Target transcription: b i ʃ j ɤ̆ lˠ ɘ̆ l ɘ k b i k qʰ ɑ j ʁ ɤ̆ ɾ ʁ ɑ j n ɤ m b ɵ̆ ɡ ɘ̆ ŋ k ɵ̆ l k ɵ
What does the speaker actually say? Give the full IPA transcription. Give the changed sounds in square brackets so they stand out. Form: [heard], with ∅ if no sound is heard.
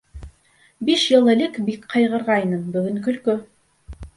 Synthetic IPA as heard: b i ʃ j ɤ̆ lˠ ɘ̆ l ɘ k b i k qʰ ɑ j ʁ ɤ̆ ɾ ʁ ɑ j n ɤ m b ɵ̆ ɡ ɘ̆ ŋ k ɵ̆ l k ɵ